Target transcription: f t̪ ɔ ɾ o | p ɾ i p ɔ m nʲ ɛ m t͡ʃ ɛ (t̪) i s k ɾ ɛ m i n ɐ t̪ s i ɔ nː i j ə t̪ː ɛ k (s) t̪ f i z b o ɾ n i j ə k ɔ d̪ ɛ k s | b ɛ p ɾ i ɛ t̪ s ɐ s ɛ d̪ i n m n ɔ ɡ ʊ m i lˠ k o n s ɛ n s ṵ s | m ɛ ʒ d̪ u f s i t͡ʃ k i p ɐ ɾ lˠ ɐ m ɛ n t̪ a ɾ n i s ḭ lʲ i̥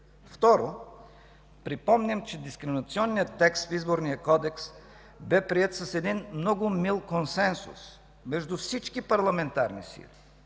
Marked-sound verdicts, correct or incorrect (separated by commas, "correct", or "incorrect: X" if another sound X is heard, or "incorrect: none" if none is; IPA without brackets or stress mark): incorrect: d̪, correct